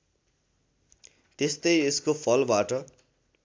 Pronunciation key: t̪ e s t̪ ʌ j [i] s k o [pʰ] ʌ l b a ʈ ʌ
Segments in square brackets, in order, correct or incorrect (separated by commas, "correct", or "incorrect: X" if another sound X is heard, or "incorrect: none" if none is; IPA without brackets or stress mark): incorrect: e, correct